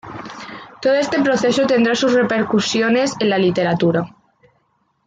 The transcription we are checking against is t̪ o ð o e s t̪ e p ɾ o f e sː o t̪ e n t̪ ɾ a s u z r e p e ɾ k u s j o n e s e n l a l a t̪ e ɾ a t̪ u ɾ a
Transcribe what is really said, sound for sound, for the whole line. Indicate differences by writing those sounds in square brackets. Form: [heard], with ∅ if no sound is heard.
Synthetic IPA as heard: t̪ o ð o e s t̪ e p ɾ o [θ] e [s] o t̪ e n [d̪] ɾ a s u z r e p e ɾ k u s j o n e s e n l a l [i] t̪ e ɾ a t̪ u ɾ a